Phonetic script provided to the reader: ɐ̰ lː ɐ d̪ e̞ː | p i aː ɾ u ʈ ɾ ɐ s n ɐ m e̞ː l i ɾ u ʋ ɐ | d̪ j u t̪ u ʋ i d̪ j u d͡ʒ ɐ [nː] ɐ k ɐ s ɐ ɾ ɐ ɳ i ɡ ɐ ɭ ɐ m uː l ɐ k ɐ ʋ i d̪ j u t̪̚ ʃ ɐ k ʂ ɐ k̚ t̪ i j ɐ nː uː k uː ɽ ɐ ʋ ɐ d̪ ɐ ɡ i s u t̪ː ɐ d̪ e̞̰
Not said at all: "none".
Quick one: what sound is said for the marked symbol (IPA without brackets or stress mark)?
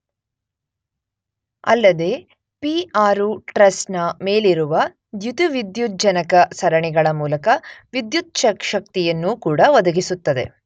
n